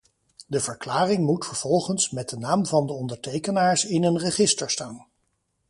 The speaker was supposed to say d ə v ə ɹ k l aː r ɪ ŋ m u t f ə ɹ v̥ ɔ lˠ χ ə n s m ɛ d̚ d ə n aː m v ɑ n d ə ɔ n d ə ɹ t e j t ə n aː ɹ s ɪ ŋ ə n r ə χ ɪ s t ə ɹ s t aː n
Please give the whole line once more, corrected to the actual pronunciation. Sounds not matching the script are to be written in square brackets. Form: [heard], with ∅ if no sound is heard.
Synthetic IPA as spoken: d ə v ə ɹ k l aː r ɪ ŋ m u t f ə ɹ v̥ ɔ lˠ χ ə n s m ɛ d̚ d ə n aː m v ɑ n d ə ɔ n d ə ɹ t e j [k] ə n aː ɹ s ɪ [n] ə n r ə χ ɪ s t ə ɹ s t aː n